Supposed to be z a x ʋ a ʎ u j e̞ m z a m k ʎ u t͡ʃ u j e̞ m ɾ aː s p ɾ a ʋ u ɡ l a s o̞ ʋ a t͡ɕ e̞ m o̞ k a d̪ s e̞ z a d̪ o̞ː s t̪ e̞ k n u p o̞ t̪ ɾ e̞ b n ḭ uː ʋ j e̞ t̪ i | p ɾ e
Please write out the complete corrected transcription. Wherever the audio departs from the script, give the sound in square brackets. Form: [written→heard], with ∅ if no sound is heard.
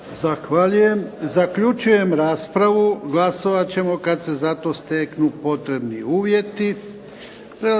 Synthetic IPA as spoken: z a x ʋ a ʎ u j e̞ m z a [m→∅] k ʎ u t͡ʃ u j e̞ m ɾ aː s p ɾ a ʋ u ɡ l a s o̞ ʋ a t͡ɕ e̞ m o̞ k a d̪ s e̞ z a [d̪→t̪] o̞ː s t̪ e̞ k n u p o̞ t̪ ɾ e̞ b n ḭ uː ʋ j e̞ t̪ i | p ɾ e